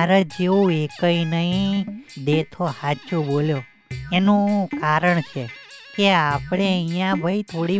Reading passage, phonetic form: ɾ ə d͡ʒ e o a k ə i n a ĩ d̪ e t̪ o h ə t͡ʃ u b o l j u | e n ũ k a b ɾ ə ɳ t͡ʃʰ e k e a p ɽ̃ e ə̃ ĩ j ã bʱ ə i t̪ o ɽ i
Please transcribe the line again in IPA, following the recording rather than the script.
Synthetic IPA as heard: ɾ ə d͡ʒ e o e k ə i n ə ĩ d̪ e t̪ʰ o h a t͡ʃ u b o l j o | e n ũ k a ɾ ə ɳ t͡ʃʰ e k e a p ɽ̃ e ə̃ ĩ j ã bʱ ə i t̪ʰ o ɽ i